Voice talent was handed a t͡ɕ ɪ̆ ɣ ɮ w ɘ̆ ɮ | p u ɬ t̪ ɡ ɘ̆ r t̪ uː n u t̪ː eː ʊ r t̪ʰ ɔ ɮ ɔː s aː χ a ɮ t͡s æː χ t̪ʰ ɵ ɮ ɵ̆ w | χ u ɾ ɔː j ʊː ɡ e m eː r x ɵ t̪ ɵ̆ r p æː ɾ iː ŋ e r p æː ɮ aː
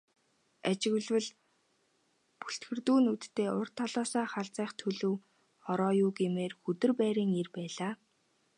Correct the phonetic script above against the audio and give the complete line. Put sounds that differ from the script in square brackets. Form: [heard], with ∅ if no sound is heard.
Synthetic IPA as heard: a t͡ɕ ɪ̆ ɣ ɮ w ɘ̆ ɮ | p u ɬ t̪ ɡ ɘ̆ r t̪ uː n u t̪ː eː ʊ r t̪ʰ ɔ ɮ ɔː s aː χ a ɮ t͡s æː χ t̪ʰ ɵ ɮ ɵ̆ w | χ [ɔ] ɾ ɔː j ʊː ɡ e m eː r x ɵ t̪ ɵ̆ r p æː ɾ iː ŋ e r p æː ɮ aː